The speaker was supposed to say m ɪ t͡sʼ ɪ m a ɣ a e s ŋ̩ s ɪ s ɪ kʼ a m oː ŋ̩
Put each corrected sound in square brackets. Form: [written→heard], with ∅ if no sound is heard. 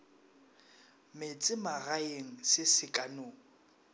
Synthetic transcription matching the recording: m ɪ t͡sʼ ɪ m a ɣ a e [s→∅] ŋ̩ s ɪ s ɪ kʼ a [m→n] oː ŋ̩